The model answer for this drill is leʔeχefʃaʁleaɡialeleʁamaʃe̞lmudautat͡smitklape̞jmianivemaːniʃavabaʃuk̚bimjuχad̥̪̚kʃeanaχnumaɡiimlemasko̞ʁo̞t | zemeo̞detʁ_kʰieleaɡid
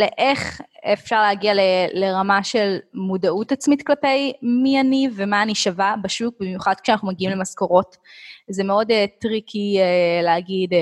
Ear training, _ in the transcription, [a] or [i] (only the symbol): i